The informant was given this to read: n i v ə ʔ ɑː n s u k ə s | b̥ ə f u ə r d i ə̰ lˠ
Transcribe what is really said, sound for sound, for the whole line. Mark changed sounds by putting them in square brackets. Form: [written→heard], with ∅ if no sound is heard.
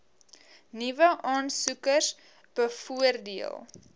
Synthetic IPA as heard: n i v ə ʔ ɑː n s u k ə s | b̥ ə f u ə r d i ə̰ lˠ